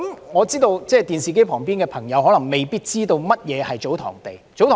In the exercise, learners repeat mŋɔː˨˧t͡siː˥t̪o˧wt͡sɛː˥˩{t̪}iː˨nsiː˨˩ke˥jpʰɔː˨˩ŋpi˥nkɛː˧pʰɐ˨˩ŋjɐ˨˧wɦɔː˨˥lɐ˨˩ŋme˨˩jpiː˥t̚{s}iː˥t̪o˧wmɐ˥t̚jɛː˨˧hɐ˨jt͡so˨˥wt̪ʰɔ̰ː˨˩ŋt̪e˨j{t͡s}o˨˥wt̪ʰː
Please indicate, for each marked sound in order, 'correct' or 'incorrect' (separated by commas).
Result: correct, incorrect, correct